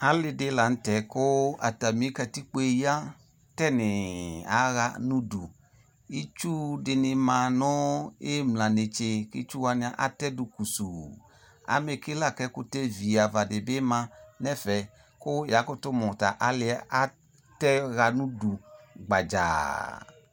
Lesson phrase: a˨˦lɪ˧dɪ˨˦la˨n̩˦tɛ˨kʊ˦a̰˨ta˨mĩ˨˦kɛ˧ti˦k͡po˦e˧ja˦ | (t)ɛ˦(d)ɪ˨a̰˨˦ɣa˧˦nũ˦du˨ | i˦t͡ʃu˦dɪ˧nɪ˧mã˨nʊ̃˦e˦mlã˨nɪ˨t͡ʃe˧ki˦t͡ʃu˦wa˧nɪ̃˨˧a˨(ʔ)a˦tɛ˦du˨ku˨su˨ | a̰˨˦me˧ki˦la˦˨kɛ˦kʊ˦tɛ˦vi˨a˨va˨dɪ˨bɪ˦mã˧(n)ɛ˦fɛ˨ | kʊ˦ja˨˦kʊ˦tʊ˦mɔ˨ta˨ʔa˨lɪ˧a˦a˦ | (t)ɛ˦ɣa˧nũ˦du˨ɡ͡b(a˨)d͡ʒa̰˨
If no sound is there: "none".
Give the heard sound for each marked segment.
t, n, ʔ, n, t, a˨

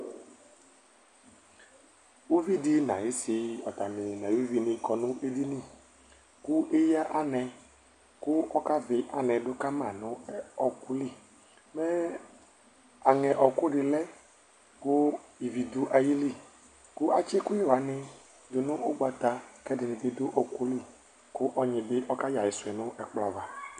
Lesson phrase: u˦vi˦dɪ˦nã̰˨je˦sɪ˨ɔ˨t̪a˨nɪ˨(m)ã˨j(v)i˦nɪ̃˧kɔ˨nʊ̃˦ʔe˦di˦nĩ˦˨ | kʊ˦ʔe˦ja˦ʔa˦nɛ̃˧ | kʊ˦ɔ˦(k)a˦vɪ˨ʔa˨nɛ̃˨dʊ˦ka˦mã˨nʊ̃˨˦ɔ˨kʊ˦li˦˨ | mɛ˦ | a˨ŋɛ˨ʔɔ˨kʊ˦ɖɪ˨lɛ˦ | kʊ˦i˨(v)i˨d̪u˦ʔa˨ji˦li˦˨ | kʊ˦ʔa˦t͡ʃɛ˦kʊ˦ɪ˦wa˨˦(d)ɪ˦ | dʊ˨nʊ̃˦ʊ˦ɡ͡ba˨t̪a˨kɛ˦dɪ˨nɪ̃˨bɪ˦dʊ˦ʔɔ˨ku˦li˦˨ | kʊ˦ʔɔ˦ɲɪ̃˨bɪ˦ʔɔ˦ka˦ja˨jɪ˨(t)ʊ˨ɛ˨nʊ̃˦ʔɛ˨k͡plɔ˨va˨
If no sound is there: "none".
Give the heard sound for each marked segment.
n, v, k, v, n, s

